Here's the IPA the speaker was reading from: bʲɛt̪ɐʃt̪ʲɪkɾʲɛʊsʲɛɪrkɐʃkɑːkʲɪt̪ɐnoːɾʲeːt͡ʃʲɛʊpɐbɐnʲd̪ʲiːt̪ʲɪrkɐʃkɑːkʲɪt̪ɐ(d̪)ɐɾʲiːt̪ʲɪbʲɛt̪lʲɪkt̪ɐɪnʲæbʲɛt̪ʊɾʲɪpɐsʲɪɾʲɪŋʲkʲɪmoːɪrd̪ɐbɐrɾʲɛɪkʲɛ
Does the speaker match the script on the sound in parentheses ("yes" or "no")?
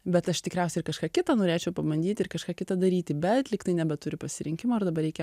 yes